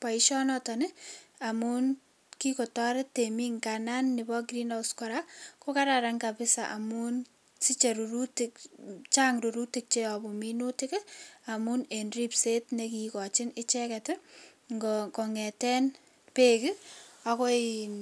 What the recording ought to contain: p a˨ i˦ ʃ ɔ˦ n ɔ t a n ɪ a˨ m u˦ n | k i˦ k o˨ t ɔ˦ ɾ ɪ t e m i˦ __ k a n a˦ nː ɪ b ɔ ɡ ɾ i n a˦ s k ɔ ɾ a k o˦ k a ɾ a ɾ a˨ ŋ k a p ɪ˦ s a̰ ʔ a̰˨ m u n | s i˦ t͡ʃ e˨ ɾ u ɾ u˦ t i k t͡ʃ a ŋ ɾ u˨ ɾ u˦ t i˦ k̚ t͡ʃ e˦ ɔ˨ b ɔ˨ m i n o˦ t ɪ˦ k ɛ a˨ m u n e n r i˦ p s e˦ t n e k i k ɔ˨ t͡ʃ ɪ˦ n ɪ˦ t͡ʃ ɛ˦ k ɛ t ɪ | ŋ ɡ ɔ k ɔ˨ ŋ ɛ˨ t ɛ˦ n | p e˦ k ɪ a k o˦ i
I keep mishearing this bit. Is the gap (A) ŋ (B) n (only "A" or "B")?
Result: A